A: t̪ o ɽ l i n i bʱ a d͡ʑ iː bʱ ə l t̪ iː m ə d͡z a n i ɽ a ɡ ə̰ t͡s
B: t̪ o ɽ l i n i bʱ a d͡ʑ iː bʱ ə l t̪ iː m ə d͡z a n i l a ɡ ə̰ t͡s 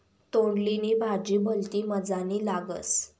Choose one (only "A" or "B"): B